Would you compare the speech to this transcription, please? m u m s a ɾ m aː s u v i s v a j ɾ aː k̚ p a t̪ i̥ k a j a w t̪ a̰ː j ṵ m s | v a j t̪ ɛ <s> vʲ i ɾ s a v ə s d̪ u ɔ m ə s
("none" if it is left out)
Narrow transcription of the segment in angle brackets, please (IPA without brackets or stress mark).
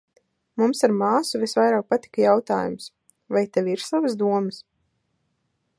none